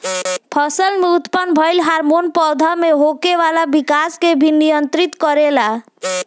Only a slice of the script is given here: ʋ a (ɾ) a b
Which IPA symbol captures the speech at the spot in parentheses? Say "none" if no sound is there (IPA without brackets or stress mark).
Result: l